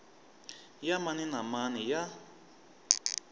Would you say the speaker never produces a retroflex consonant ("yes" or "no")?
yes